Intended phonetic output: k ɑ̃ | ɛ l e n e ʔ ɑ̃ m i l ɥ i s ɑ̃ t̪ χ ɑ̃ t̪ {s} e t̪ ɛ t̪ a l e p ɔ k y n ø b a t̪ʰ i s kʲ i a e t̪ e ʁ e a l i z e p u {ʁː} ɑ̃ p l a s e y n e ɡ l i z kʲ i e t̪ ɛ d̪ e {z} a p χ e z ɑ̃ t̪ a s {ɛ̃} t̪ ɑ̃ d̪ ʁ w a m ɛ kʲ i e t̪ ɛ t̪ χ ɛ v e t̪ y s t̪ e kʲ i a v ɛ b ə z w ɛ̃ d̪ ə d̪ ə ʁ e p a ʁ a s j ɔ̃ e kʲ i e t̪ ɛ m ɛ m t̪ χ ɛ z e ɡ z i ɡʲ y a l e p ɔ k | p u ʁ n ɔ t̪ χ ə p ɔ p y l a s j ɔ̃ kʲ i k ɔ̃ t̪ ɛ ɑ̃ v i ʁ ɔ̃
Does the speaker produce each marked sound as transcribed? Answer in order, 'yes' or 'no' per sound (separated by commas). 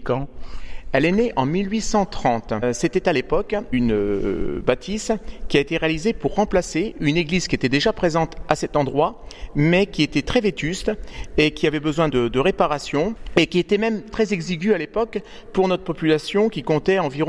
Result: yes, yes, no, no